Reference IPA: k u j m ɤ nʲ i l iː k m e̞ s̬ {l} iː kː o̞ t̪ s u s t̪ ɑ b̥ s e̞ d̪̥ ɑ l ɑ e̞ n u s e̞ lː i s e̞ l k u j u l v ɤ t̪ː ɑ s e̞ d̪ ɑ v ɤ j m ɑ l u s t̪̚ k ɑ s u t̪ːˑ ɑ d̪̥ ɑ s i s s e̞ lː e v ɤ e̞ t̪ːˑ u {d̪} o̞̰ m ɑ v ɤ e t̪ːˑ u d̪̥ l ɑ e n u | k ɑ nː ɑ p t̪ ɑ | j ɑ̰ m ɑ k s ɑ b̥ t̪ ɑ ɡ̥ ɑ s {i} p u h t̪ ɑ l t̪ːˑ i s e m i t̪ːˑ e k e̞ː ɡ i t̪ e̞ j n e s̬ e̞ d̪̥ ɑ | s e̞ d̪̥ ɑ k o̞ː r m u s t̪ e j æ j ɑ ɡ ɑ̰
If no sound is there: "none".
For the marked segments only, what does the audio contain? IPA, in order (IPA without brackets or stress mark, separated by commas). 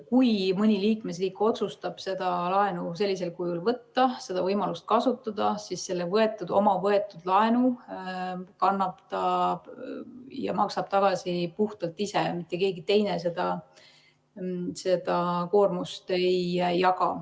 r, d̪, i